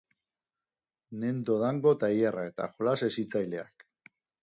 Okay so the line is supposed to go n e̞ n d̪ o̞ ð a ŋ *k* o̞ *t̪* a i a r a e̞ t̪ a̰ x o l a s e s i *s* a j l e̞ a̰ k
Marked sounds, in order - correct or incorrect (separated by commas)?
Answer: incorrect, correct, incorrect